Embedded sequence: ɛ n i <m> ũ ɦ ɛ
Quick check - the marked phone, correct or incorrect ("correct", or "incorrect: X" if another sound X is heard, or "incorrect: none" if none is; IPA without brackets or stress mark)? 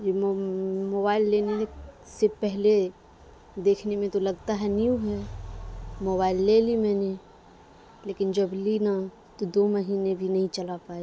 incorrect: none